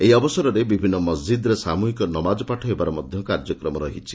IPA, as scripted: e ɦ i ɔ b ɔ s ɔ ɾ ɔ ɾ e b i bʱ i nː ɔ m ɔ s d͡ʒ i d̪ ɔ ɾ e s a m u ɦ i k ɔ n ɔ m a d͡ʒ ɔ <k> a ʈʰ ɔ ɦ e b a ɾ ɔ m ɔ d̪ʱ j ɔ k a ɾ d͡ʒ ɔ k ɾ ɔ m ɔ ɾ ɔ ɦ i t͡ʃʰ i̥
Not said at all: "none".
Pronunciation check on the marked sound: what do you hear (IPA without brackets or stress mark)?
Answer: p